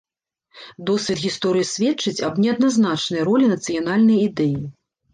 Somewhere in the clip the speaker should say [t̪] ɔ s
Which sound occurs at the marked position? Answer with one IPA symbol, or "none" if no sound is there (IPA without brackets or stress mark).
d̪